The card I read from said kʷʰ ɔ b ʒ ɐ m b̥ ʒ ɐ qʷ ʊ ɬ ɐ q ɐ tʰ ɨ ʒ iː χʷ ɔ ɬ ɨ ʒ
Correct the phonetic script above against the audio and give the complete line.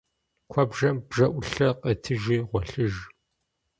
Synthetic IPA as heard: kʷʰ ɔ b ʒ ɐ m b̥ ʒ ɐ ʔʷ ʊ ɬ ɐ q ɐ tʰ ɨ ʒ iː ʁʷ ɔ ɬ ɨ ʒ